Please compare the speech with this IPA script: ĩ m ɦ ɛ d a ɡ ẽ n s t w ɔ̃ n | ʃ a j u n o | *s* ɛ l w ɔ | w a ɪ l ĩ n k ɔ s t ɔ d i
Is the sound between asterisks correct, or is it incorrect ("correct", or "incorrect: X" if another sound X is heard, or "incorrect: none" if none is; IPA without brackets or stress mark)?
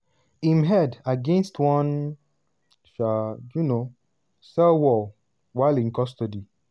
correct